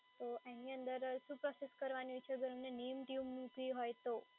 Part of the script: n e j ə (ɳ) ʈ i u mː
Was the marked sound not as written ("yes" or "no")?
yes